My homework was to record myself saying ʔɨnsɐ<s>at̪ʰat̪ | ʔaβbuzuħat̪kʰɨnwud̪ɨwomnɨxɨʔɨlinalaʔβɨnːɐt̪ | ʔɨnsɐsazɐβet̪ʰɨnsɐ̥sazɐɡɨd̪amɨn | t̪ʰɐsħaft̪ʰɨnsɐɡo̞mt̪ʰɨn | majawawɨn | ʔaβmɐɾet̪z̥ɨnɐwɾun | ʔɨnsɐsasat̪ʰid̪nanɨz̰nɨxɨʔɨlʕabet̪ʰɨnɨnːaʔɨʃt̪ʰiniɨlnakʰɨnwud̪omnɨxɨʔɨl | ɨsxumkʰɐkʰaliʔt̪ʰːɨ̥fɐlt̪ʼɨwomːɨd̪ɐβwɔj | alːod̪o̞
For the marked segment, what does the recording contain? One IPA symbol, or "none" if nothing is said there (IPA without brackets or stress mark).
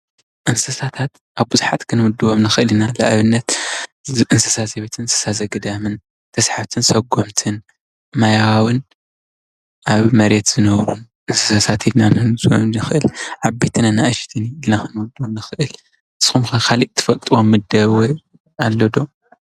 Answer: s